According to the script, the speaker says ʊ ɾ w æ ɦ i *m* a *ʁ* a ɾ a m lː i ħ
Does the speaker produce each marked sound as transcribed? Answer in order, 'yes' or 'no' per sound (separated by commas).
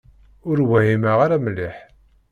yes, yes